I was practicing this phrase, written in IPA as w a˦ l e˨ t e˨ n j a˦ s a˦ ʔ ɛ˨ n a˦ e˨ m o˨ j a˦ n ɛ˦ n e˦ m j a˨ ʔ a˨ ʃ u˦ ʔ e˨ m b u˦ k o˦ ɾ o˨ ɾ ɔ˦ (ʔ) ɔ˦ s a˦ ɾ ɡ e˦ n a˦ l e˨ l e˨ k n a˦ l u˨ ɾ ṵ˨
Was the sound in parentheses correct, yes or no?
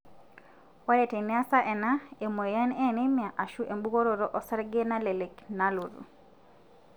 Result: yes